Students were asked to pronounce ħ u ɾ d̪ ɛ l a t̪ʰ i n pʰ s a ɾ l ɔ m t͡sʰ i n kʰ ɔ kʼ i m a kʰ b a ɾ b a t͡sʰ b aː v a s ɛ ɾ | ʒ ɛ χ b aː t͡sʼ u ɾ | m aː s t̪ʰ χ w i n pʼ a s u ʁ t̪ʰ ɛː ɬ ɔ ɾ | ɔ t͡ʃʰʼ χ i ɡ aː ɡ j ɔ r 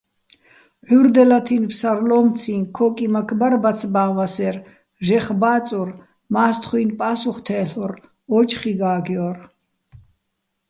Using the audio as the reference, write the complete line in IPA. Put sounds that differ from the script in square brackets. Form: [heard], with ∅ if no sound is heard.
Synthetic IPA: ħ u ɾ d̪ ɛ l a t̪ʰ i n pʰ s a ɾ l ɔ m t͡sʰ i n kʰ ɔ kʼ i m a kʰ b a ɾ b a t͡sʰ b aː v a s ɛ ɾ | ʒ ɛ χ b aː t͡sʼ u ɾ | m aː s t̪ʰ χ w i n pʼ a s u [χ] t̪ʰ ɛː ɬ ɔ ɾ | ɔ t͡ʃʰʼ χ i ɡ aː ɡ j ɔ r